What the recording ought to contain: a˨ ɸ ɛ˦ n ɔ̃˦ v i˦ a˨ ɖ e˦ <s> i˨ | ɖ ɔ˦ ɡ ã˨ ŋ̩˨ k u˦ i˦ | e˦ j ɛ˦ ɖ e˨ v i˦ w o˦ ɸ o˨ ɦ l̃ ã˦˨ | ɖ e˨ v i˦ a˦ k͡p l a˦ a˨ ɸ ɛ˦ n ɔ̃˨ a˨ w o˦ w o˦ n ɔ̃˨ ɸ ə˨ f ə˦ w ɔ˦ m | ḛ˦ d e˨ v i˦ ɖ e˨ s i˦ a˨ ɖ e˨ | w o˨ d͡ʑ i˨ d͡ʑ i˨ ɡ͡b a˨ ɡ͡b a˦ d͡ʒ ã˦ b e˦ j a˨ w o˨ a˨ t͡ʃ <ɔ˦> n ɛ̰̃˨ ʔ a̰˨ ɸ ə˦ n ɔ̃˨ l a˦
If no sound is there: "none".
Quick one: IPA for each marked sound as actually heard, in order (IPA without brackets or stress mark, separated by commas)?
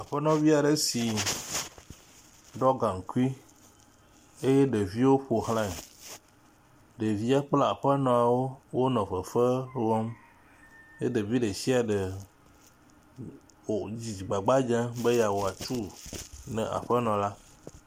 s, u˦